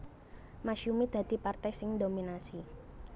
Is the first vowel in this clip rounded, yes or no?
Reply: no